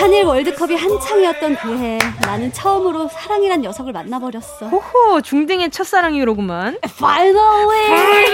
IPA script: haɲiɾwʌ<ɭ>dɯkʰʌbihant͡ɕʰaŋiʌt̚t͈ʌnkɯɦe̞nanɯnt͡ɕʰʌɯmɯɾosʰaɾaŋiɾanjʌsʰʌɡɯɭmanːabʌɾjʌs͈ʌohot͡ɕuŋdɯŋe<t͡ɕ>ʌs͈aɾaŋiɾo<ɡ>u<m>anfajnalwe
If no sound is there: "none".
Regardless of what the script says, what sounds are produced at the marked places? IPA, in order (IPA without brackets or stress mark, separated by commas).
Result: ɭ, t͡ɕʰ, ɡ, m